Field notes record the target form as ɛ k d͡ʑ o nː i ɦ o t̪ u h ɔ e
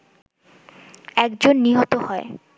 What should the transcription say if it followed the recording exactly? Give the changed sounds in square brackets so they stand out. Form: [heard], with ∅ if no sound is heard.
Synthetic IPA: ɛ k d͡ʑ o nː i ɦ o t̪ [o] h ɔ e